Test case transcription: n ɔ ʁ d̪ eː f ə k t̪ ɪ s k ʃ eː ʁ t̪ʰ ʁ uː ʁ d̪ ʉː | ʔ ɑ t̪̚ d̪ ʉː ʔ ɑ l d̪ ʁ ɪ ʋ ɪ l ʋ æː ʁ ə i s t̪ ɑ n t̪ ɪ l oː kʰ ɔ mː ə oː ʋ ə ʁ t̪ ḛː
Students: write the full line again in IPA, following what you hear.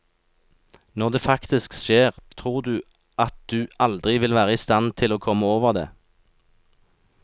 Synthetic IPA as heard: n ɔ ʁ d̪ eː f ɑ k t̪ ɪ s k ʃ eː ʁ t̪ʰ ʁ uː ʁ d̪ ʉː | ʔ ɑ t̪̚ d̪ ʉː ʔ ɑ l d̪ ʁ ɪ ʋ ɪ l ʋ æː ʁ ə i s t̪ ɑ n t̪ʰ ɪ l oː kʰ ɔ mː ə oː ʋ ə ʁ d̪ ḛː

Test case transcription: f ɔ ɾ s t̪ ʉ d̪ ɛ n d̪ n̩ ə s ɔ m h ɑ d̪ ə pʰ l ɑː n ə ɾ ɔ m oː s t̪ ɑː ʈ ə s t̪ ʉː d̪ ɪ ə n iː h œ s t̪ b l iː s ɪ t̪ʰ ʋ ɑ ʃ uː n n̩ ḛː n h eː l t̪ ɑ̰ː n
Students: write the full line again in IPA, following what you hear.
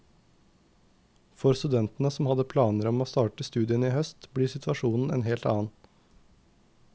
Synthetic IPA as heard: f ɔ ɾ s t̪ ʉ d̪ ɛ n t̪ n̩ ə s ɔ m h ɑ d̪ ə pʰ l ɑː n ə ɾ ɔ m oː s t̪ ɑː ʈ ə s t̪ ʉː d̪ ɪ ə n iː h œ s t̪ b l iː s ɪ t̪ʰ ʋ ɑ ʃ uː n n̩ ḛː n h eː l t̪ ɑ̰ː n

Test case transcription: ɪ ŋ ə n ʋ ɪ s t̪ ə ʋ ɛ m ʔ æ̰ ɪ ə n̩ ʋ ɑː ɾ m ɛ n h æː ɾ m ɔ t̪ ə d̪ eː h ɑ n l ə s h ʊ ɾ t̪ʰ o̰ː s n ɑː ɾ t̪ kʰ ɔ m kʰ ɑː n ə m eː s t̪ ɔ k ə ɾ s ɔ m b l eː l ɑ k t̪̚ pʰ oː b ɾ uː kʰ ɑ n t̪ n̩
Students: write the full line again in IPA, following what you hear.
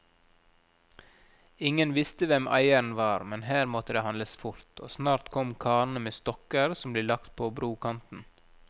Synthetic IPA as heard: ɪ ŋ ə n ʋ ɪ s t̪ ə ʋ ɛ m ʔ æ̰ ɪ ə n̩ ʋ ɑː ɾ m ɛ n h æː ɾ m ɔ t̪ ə d̪ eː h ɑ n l ə s f ʊ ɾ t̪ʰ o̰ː s n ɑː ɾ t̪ kʰ ɔ m kʰ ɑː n ə m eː s t̪ ɔ k ə ɾ s ɔ m b l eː l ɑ k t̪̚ pʰ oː b ɾ uː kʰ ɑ n t̪ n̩

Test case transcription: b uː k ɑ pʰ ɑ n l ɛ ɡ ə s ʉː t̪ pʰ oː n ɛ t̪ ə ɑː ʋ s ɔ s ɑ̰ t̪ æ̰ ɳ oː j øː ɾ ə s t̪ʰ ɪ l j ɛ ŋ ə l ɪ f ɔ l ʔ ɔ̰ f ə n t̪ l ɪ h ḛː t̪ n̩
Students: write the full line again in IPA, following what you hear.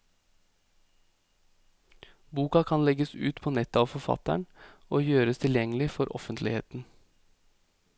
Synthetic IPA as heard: b uː k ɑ kʰ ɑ n l ɛ ɡ ə s ʉː t̪ pʰ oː n ɛ t̪ ə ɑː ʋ f ɔ f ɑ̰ t̪ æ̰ ɳ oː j øː ɾ ə s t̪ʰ ɪ l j ɛ ŋ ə l ɪ f ɔ ɾ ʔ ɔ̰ f ə n t̪ l ɪ h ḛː t̪ n̩

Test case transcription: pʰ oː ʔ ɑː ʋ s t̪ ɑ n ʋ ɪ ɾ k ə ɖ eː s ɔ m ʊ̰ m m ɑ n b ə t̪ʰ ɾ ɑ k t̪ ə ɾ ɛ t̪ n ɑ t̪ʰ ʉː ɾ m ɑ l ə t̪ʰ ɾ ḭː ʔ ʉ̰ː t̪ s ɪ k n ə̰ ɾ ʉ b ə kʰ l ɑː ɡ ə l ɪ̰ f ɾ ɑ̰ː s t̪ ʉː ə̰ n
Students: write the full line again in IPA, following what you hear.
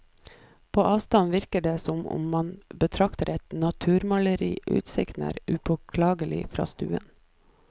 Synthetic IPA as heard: pʰ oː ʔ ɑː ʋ s t̪ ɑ n ʋ ɪ ɾ k ə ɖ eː s ɔ m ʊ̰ m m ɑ n b ə t̪ʰ ɾ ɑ k t̪ ə ɾ ɛ t̪ n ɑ t̪ʰ ʉː ɾ m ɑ l ə ɾ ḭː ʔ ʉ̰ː t̪ s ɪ k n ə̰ ɾ ʉ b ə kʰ l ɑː ɡ ə l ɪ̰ f ɾ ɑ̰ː s t̪ ʉː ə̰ n

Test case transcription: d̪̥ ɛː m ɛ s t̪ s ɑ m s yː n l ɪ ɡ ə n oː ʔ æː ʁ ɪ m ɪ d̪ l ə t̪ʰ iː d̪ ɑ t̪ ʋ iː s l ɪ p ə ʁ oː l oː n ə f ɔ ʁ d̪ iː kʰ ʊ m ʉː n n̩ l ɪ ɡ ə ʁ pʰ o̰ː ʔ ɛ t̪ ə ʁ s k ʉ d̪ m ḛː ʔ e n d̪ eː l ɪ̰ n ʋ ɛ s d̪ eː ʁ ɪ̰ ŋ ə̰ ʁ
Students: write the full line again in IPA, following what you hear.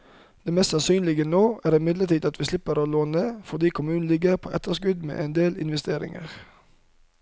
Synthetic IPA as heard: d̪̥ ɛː m ɛ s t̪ s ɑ n s yː n l ɪ ɡ ə n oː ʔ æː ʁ ɪ m ɪ d̪ l ə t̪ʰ iː d̪ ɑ t̪ ʋ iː s l ɪ p ə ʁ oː l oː n ə f ɔ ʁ d̪ iː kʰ ʊ m ʉː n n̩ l ɪ ɡ ə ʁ pʰ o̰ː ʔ ɛ t̪ ə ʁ s k ʉ d̪ m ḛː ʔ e n d̪ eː l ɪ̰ n ʋ ɛ s t̪ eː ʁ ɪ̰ ŋ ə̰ ʁ

